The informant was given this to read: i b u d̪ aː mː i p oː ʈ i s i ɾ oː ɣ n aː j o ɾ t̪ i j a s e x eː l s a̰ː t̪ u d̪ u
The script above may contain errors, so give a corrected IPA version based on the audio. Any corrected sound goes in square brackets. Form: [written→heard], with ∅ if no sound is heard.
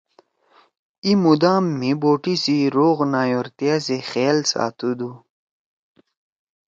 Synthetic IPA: i [b→m] u d̪ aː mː i [p→b] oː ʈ i s i ɾ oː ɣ n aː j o ɾ t̪ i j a s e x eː l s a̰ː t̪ u d̪ u